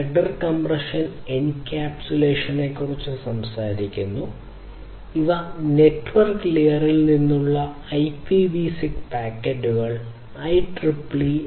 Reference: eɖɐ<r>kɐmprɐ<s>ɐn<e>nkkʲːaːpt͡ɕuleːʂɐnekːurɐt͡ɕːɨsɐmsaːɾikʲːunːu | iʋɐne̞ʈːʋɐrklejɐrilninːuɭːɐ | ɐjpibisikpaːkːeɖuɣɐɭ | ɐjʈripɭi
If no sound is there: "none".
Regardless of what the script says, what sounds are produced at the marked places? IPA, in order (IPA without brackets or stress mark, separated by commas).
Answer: r, ʂ, e